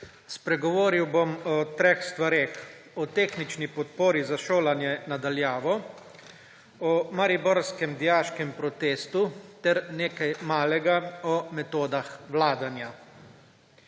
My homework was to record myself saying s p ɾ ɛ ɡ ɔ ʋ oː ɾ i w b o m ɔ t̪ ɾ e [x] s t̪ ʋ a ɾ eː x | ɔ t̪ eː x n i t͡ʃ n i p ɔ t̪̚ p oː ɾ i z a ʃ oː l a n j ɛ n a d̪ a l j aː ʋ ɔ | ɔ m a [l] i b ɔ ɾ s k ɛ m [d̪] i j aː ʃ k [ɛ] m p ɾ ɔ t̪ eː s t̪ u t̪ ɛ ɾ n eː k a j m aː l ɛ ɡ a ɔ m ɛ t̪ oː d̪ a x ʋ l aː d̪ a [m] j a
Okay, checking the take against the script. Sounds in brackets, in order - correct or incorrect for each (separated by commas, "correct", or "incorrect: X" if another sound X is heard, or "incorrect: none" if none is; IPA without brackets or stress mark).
correct, incorrect: ɾ, correct, correct, incorrect: n